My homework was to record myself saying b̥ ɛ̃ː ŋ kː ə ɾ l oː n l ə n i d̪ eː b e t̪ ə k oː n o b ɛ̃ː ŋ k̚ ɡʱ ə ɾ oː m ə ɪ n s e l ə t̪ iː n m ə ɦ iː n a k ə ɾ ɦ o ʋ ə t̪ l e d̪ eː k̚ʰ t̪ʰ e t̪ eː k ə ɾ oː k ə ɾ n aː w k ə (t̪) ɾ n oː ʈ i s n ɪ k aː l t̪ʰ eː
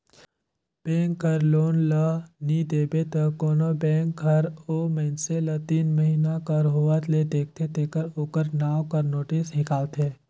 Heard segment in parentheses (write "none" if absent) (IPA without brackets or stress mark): none